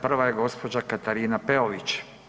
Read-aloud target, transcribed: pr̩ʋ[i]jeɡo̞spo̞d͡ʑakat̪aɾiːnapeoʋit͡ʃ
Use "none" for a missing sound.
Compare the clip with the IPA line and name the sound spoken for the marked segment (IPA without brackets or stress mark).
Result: a